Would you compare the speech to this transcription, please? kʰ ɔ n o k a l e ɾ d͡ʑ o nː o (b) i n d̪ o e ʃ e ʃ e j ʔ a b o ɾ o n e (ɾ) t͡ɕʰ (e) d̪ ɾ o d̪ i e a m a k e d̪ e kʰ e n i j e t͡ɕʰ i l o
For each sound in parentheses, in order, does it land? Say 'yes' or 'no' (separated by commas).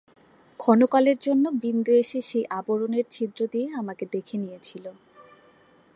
yes, yes, no